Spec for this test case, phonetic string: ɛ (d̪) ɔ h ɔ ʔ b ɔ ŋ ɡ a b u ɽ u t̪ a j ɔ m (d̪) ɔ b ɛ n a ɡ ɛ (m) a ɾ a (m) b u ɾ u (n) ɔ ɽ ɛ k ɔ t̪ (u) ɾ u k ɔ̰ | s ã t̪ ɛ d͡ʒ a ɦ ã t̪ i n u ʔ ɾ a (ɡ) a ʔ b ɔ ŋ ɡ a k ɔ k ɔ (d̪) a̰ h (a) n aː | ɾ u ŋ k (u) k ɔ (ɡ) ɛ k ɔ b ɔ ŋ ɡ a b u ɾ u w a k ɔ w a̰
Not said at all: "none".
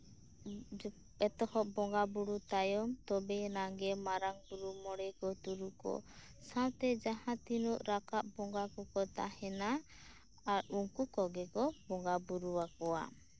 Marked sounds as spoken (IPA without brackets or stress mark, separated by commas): t̪, t̪, m, ŋ, m, u, k, t̪, ɛ, u, ɡ